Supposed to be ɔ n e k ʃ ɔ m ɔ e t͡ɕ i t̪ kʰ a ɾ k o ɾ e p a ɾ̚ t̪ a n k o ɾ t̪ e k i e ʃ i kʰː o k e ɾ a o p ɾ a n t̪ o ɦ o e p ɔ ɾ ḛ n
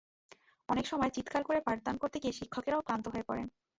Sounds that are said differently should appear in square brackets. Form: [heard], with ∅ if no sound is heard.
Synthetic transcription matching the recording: ɔ n e k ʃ ɔ m ɔ e t͡ɕ i t̪ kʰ a ɾ k o ɾ e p a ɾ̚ [d̪] a n k o ɾ t̪ e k i e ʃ i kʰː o k e ɾ a o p ɾ a n t̪ o ɦ o e p ɔ ɾ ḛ n